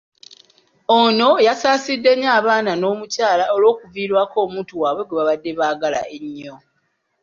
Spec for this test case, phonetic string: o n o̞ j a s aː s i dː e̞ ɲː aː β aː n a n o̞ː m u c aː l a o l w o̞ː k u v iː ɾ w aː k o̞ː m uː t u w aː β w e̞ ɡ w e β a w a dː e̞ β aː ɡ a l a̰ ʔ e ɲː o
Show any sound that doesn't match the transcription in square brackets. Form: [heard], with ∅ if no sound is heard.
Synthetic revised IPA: o n o̞ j a s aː s i dː e̞ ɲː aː β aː n a n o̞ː m u c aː l a o l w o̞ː k u v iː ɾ w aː k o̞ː m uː t u w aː β w e̞ ɡ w e β a [β] a dː e̞ β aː ɡ a l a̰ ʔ e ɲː o